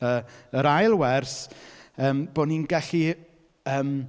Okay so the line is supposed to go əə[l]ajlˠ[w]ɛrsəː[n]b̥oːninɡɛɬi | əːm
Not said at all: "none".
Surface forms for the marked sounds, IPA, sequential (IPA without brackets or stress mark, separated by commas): ɾ, w, m